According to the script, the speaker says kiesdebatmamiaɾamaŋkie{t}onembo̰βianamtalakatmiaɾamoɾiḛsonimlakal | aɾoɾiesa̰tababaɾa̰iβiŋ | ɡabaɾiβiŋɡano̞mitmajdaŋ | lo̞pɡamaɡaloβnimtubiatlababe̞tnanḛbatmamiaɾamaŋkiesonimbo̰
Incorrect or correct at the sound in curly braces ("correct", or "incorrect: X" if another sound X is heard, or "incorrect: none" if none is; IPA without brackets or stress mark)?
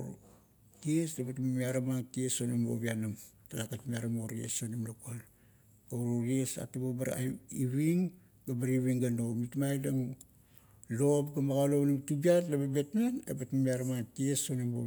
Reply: incorrect: s